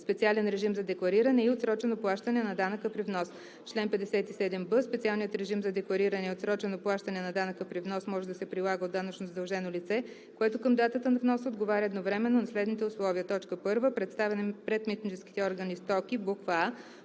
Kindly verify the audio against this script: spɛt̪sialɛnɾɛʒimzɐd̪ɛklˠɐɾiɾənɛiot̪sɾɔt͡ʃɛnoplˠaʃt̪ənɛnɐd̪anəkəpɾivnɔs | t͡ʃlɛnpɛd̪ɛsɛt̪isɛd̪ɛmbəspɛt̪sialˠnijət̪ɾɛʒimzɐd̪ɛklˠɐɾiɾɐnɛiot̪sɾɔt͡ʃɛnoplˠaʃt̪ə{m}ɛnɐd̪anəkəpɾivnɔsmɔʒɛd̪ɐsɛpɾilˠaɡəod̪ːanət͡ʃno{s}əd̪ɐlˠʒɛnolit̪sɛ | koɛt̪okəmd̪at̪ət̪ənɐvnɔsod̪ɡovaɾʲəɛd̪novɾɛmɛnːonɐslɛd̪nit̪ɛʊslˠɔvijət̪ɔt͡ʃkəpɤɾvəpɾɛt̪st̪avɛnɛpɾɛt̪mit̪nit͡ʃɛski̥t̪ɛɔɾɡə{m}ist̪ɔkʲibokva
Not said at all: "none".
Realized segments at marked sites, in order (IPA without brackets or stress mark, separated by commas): n, z, n